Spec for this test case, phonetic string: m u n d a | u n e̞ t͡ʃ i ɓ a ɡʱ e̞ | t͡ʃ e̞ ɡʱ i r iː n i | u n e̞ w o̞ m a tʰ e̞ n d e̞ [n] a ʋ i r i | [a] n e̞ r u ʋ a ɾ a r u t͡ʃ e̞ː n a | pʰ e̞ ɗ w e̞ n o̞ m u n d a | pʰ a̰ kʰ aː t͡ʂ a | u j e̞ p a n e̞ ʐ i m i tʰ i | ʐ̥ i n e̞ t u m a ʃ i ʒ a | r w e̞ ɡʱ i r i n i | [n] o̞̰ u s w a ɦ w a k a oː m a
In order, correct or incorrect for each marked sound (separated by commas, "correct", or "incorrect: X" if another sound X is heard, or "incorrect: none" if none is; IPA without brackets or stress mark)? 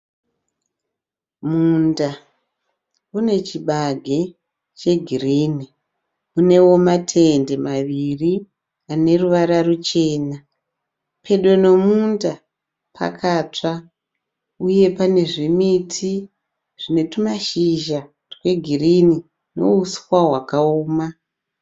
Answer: incorrect: m, correct, correct